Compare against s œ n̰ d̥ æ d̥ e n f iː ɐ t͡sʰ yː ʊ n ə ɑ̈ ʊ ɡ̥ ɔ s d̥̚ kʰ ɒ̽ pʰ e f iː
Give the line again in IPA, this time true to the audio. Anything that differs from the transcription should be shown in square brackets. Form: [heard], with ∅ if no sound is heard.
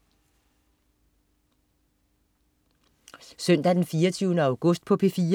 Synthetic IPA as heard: s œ n̰ d̥ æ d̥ e n f iː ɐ t͡sʰ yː ʊ n ə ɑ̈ ʊ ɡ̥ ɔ s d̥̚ [pʰ] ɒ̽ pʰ e f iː